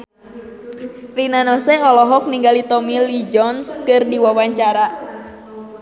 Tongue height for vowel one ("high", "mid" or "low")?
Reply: high